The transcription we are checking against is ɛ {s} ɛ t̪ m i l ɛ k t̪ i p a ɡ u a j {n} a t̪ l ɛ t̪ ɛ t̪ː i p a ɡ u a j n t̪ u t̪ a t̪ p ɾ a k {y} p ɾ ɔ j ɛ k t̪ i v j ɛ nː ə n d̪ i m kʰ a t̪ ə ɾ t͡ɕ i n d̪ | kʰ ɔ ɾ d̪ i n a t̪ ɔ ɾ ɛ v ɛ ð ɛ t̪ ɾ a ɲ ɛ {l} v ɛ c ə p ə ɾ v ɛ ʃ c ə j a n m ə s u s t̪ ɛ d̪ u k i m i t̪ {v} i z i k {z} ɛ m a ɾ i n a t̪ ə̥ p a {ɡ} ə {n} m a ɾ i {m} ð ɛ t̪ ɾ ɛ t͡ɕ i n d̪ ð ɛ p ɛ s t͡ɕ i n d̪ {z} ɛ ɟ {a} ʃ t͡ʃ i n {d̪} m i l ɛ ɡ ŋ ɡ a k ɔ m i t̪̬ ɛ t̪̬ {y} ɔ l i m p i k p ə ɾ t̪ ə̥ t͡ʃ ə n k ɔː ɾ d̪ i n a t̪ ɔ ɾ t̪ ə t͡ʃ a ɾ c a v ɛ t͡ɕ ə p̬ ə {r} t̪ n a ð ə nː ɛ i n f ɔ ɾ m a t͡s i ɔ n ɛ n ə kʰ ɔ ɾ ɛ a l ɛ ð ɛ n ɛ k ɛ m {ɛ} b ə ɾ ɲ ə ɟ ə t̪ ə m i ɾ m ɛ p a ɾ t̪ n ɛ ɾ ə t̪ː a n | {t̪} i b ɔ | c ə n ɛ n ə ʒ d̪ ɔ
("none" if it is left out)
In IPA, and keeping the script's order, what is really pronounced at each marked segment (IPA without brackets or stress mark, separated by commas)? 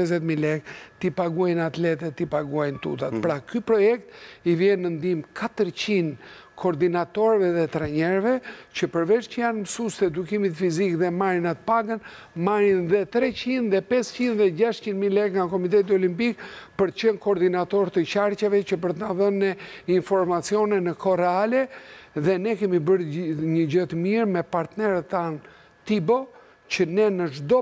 z, n, y, ɾ, f, ð, ɡ, n, n, ð, a, d̪, i, ɾ, i, t̪